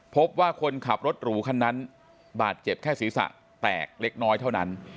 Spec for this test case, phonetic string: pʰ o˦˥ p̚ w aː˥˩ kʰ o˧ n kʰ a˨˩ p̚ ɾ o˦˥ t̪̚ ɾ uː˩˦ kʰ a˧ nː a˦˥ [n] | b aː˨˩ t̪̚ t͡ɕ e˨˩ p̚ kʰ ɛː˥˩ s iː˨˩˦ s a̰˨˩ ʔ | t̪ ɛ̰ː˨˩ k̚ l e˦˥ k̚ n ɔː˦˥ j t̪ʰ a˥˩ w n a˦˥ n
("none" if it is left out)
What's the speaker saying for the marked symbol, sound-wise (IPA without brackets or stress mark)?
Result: n